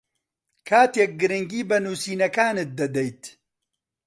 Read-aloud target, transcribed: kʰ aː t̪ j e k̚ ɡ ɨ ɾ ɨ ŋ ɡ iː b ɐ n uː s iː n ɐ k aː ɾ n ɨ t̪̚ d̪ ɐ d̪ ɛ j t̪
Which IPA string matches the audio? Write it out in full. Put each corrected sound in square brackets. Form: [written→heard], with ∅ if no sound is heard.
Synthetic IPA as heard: kʰ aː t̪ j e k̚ ɡ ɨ ɾ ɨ ŋ ɡ iː b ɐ n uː s iː n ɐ k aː [ɾ→∅] n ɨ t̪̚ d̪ ɐ d̪ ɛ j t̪

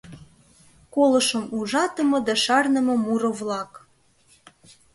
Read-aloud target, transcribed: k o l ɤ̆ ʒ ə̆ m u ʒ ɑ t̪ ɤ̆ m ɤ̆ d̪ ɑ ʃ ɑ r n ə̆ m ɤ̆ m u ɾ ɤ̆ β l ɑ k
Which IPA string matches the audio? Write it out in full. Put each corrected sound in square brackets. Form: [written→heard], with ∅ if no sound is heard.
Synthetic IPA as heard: k o l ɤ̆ [ʒ→ʃ] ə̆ m u ʒ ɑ t̪ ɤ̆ m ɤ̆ d̪ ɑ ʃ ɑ r n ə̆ m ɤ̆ m u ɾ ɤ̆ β l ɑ k

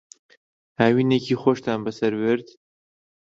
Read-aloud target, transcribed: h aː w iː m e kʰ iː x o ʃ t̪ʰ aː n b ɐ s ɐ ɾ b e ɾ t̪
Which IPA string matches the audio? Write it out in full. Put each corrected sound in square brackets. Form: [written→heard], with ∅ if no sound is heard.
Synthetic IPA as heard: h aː w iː [m→n] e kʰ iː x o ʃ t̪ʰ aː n b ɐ s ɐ ɾ [b→w] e ɾ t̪

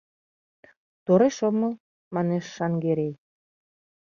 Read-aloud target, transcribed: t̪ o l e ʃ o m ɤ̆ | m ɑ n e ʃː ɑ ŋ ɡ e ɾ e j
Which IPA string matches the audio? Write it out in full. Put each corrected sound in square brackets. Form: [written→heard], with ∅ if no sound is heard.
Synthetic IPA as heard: t̪ o [l→ɾ] e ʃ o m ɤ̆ | m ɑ n e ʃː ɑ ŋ ɡ e ɾ e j

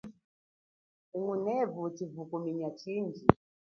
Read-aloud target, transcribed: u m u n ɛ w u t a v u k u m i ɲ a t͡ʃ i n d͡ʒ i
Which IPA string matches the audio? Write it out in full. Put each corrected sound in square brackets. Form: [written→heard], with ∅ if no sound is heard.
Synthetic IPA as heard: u [m→ŋ] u n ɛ [w→v] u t [a→i] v u k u m i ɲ a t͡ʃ i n d͡ʒ i

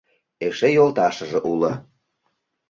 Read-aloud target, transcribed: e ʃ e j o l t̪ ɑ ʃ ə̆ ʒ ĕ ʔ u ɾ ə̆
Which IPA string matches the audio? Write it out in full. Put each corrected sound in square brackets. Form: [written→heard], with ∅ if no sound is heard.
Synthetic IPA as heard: e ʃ e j o l t̪ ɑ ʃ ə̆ ʒ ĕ ʔ u [ɾ→l] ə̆

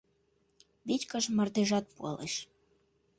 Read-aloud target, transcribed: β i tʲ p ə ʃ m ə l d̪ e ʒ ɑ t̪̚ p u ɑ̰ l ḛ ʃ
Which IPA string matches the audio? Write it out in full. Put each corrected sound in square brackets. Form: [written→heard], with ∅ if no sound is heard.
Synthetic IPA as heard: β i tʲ [p→k] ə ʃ m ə [l→r] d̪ e ʒ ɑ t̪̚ p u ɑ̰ l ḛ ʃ

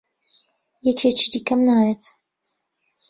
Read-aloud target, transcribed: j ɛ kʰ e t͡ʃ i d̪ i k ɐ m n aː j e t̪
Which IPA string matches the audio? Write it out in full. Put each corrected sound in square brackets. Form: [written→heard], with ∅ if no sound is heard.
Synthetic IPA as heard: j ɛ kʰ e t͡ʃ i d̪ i k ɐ m n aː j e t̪

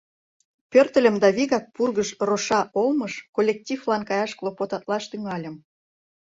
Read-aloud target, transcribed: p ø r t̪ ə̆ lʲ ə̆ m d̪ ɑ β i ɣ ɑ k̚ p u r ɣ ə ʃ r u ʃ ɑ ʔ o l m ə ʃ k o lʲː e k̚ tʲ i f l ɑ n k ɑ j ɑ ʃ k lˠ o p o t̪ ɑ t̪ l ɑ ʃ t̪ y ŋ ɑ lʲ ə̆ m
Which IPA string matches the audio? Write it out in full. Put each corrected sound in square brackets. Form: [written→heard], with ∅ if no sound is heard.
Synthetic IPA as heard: p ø r t̪ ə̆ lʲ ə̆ m d̪ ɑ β i ɣ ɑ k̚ p u r ɣ ə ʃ r [u→o] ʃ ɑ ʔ o l m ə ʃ k o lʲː e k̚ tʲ i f l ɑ n k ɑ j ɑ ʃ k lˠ o p o t̪ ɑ t̪ l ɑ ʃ t̪ y ŋ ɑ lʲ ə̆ m

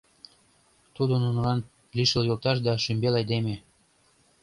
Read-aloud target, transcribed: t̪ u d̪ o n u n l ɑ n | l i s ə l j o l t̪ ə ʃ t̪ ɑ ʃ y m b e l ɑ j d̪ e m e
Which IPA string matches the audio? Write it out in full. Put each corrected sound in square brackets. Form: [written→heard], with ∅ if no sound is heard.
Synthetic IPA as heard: t̪ u d̪ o n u n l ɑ n | l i [s→ʃ] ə l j o l t̪ [ə→ɑ] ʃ [t̪→d̪] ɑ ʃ y m b e l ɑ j d̪ e m e

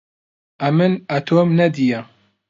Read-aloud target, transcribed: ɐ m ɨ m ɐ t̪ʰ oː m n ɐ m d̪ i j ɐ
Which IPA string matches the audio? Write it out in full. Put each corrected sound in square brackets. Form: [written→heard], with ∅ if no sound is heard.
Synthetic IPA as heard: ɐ m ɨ [m→n] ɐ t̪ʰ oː m n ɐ [m→∅] d̪ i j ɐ

